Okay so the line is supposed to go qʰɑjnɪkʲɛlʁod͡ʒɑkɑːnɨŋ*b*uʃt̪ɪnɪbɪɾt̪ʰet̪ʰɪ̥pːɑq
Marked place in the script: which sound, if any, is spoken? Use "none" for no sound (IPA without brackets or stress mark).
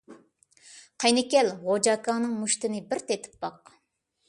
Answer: m